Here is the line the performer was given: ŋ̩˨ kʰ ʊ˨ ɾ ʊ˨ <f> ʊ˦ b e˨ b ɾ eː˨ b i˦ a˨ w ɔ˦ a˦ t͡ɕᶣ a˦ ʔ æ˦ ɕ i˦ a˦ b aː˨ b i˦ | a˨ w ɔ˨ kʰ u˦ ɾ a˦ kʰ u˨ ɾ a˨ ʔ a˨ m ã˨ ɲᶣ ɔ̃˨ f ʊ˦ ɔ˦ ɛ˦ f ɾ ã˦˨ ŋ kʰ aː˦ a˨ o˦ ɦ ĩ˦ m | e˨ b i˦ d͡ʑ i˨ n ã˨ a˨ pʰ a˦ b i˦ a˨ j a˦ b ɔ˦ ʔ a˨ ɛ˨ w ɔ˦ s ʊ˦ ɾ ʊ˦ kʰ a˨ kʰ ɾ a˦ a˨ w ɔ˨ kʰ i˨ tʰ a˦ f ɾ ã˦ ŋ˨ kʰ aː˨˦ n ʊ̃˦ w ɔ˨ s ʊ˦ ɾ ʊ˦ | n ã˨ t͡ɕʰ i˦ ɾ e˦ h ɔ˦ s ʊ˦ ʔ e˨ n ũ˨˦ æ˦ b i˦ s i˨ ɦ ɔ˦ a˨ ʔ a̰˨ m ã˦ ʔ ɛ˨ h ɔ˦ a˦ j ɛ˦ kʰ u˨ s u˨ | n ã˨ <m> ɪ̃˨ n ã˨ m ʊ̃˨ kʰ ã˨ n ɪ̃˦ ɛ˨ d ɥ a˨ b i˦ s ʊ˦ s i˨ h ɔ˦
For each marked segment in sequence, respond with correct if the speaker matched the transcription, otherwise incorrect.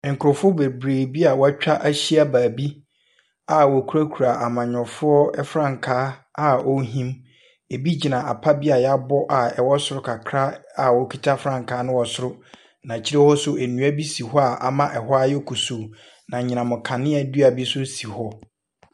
correct, incorrect: ɲ

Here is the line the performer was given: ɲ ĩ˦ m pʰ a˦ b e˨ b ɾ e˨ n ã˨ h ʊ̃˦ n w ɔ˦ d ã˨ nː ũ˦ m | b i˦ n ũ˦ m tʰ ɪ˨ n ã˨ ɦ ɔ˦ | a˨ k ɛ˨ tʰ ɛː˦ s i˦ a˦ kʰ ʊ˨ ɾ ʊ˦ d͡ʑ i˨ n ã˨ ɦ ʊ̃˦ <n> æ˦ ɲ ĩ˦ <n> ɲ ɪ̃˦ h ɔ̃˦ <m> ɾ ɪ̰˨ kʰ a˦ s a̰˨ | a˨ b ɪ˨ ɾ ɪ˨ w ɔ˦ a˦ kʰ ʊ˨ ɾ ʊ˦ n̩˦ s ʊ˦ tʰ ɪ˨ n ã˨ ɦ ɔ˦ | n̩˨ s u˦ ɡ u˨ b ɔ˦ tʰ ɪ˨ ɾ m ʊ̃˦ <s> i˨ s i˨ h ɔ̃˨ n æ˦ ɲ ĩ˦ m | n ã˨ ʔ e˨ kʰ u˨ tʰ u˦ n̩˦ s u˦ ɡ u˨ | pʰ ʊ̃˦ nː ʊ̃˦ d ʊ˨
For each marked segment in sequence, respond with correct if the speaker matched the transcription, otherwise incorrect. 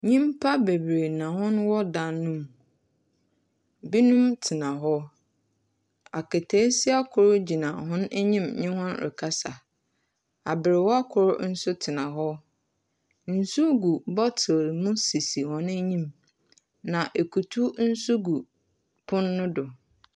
correct, incorrect: m, incorrect: n, correct

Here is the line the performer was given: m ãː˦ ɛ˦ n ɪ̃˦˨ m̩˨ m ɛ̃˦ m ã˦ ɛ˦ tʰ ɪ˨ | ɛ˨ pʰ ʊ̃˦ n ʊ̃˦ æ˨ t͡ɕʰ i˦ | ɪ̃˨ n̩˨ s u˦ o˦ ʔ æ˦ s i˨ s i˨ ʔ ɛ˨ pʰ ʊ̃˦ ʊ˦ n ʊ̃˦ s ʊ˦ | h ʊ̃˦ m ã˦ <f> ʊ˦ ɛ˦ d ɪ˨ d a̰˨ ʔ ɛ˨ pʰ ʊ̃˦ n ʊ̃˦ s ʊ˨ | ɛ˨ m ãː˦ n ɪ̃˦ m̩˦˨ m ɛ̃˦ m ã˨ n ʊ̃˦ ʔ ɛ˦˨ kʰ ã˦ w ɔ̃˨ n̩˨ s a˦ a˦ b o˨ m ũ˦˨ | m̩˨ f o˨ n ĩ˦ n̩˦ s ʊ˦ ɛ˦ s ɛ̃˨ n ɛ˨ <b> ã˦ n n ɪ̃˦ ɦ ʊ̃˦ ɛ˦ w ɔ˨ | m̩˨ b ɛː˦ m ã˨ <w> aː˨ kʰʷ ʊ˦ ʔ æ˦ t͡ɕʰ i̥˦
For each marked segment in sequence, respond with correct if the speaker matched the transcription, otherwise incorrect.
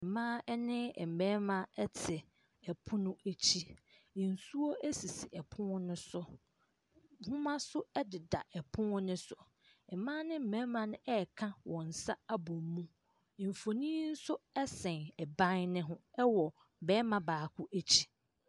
incorrect: s, correct, incorrect: b

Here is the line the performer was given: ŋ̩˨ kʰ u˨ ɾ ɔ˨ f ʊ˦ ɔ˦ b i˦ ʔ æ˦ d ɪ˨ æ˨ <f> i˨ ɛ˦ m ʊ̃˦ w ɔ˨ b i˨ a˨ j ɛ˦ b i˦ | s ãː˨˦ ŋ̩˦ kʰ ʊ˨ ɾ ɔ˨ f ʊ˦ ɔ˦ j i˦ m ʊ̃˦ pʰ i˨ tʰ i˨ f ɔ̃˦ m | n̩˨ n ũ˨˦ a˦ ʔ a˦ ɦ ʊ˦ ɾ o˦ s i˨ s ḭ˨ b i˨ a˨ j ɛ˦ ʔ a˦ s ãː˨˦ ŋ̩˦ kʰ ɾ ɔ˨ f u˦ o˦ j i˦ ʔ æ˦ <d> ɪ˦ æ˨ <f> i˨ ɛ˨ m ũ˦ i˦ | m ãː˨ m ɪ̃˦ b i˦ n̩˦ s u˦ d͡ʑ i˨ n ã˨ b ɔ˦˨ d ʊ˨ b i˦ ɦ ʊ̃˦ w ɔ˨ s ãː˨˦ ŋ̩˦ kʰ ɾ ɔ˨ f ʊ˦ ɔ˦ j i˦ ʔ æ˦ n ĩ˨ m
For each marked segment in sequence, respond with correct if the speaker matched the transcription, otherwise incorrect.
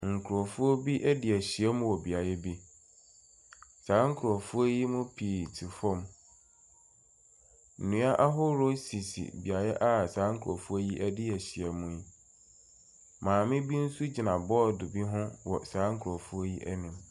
incorrect: ɕ, correct, incorrect: ɕ

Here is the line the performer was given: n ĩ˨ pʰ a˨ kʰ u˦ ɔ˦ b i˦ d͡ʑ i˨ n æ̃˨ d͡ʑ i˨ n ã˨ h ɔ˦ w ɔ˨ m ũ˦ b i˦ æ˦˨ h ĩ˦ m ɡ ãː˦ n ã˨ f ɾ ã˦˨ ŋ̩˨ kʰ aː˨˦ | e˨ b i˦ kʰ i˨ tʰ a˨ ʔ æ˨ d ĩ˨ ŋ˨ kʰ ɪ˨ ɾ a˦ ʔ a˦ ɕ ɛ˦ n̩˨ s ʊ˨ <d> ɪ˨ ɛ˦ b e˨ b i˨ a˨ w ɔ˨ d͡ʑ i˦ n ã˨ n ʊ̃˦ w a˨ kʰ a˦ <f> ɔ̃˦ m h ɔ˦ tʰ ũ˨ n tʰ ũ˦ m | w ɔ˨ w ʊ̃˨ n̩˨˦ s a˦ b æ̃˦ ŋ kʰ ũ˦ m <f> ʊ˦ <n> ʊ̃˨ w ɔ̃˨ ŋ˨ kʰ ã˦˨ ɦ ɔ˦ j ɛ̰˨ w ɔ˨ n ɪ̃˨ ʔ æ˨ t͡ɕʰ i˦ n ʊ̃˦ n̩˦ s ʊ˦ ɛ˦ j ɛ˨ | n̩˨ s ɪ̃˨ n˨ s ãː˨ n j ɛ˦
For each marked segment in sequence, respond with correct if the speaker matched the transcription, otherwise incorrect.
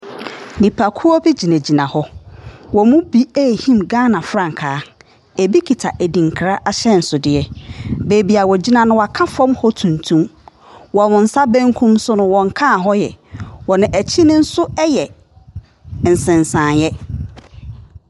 correct, correct, incorrect: s, correct

